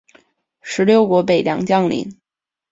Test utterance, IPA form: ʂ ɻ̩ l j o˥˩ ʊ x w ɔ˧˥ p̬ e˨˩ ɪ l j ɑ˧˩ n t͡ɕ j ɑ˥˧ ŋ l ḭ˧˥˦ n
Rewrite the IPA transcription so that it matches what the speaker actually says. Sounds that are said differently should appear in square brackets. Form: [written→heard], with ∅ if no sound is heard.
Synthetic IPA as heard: ʂ ɻ̩ l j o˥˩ ʊ [x→k] w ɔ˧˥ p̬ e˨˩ ɪ l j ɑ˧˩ [n→ŋ] t͡ɕ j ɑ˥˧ ŋ l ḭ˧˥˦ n